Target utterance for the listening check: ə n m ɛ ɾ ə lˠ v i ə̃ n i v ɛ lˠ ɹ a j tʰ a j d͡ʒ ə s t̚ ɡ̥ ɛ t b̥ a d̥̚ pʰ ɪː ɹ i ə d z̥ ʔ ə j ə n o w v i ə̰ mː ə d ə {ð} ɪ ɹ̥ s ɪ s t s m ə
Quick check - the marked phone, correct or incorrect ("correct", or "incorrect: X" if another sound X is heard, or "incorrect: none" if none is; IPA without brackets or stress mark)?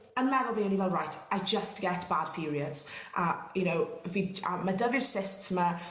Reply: incorrect: v